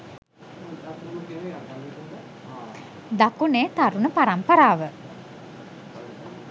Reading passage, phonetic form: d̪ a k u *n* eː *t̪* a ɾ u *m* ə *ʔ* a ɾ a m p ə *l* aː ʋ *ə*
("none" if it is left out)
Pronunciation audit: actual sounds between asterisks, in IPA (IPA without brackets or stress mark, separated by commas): n, t̪, n, p, ɾ, ə